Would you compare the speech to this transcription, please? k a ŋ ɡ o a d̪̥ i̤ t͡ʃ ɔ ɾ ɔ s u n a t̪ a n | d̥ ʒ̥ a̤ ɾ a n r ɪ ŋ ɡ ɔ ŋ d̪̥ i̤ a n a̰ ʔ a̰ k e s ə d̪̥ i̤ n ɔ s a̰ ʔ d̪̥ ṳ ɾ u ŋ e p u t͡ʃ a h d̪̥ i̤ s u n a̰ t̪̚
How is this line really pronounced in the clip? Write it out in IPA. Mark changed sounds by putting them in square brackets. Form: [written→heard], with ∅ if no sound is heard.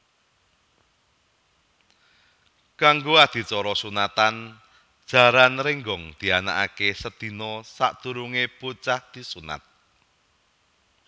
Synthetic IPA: k a ŋ ɡ o a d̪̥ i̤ t͡ʃ ɔ ɾ ɔ s u n a t̪ a n | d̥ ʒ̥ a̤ ɾ a n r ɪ ŋ ɡ ɔ ŋ d̪̥ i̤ a n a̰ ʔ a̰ k e s ə d̪̥ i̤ n ɔ s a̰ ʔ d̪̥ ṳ ɾ u ŋ e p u t͡ʃ a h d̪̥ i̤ s u n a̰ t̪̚